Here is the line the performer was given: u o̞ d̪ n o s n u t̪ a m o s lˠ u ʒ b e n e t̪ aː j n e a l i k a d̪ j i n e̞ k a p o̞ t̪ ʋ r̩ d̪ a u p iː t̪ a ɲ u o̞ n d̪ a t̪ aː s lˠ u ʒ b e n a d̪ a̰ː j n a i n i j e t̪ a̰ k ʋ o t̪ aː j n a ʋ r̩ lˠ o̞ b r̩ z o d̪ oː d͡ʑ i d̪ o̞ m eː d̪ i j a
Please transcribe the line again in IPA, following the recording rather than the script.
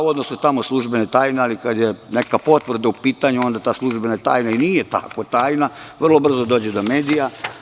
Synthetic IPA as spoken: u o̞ d̪ n o s n u t̪ a m o s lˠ u ʒ b e n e t̪ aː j n e a l i k a d̪ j e n e̞ k a p o̞ t̪ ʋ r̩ d̪ a u p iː t̪ a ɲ u o̞ n d̪ a t̪ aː s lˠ u ʒ b e n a t̪ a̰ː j n a i n i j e t̪ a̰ k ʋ o t̪ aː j n a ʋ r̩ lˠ o̞ b r̩ z o d̪ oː d͡ʑ e d̪ o̞ m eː d̪ i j a